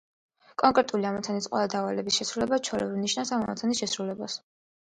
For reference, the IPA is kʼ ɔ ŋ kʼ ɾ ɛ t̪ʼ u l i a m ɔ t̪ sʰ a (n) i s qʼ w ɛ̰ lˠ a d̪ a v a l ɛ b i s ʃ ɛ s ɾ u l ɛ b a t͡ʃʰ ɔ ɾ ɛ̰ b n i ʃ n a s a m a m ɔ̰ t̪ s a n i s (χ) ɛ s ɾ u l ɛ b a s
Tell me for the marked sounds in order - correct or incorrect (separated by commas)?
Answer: correct, incorrect